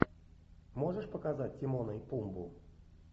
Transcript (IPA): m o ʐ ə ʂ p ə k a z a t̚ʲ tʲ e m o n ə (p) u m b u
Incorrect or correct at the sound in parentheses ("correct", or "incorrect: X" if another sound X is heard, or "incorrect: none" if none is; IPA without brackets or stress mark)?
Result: correct